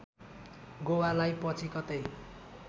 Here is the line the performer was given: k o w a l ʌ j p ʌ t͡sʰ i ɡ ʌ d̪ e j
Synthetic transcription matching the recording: ɡ o w a l a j p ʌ t͡sʰ i k ʌ t̪ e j